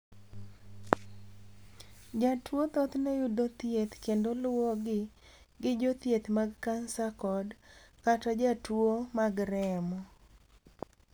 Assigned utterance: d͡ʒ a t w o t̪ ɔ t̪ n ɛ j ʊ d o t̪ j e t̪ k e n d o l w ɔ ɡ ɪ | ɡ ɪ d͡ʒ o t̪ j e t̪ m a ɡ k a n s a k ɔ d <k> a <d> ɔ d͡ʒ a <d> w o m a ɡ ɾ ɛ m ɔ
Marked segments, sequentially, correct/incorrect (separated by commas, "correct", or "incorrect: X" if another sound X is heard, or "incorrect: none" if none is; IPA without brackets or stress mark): correct, incorrect: t, incorrect: t